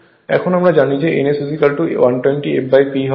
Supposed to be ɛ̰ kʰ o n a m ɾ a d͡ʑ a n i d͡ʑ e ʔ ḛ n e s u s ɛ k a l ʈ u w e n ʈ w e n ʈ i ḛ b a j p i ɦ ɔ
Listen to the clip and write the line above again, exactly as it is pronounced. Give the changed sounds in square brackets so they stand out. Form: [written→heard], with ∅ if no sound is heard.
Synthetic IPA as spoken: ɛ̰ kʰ o n a m ɾ a d͡ʑ a n i d͡ʑ e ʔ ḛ n e s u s [ɛ→i] k a l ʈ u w [e→a] n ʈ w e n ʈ i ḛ b a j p i ɦ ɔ